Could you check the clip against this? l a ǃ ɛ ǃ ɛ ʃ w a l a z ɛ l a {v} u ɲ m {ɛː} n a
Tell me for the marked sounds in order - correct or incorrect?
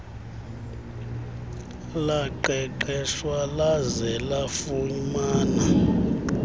incorrect, incorrect

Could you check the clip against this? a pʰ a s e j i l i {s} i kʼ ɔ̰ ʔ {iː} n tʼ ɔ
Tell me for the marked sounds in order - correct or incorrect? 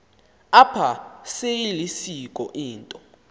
correct, correct

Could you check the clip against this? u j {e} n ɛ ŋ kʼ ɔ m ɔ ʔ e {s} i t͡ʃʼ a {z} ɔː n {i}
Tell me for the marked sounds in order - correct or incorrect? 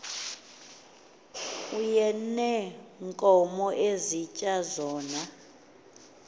incorrect, incorrect, correct, incorrect

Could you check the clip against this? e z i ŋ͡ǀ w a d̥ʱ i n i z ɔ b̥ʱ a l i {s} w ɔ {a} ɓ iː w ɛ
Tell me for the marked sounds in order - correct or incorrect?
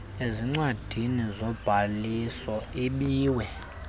correct, incorrect

